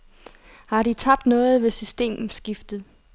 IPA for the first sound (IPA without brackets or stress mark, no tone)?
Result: h